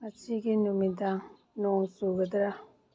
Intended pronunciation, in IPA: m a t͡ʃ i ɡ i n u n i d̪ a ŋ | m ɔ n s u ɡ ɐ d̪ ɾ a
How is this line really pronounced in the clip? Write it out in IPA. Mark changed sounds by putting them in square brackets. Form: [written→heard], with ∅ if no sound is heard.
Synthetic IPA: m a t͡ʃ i ɡ i n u [n→m] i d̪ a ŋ | [m→n] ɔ [n→ŋ] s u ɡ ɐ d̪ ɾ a